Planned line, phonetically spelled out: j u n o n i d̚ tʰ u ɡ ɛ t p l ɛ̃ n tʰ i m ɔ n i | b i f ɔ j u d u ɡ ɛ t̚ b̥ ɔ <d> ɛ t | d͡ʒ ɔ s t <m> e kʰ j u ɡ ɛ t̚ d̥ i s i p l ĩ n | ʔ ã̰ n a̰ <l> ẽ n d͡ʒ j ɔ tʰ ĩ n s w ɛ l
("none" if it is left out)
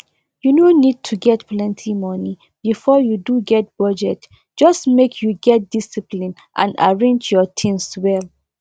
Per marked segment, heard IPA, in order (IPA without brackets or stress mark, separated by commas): d͡ʒ, m, ɹ